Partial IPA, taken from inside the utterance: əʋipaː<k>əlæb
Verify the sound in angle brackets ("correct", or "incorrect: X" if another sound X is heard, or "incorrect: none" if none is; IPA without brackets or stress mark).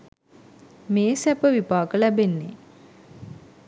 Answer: correct